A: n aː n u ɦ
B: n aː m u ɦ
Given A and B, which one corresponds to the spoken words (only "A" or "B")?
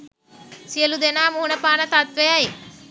B